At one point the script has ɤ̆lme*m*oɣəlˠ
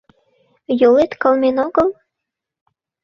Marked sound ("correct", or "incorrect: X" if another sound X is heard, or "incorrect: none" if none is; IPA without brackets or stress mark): incorrect: n